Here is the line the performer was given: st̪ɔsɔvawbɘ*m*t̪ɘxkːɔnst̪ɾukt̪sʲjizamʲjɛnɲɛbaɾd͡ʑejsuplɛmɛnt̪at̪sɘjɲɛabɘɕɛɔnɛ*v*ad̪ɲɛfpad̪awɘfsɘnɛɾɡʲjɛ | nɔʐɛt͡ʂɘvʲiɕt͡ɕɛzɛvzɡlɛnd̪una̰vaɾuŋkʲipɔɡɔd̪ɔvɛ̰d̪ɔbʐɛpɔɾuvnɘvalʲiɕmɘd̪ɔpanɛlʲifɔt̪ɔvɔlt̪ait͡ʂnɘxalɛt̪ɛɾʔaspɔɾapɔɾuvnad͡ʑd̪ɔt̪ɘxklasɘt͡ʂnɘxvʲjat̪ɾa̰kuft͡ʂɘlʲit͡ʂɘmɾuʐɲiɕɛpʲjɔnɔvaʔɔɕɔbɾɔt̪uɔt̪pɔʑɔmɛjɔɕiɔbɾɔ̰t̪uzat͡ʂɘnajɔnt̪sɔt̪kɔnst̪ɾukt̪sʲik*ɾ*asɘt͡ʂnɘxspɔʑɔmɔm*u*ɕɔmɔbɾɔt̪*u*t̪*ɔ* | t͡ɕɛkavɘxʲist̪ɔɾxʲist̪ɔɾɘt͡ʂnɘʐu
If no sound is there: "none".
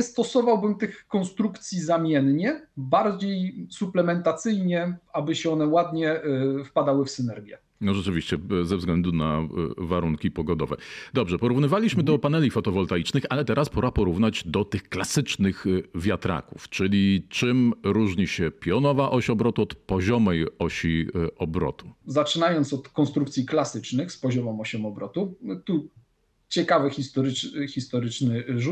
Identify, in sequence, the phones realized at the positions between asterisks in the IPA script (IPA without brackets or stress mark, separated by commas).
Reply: m, w, l, ɔ, u, u